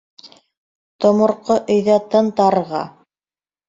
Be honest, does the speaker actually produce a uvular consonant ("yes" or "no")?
yes